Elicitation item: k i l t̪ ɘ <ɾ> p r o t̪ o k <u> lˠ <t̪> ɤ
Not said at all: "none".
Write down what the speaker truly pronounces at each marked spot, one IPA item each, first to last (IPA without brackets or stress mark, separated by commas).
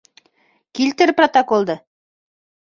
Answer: ɾ, o, d̪